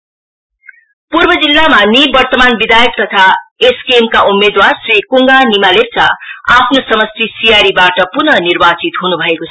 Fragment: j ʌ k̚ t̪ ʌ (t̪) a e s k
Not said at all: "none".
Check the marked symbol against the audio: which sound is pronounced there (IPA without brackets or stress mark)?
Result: t̪ʰ